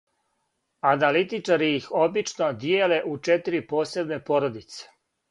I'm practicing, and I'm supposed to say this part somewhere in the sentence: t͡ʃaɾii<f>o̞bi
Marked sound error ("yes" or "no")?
yes